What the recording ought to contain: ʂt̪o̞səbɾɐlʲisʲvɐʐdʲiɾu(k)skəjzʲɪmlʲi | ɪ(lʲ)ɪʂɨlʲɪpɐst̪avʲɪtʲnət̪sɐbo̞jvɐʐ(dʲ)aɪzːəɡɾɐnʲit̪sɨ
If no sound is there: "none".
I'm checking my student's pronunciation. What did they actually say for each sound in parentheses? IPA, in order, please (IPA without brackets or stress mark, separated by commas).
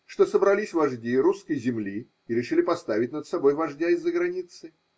none, ɾʲ, dʲ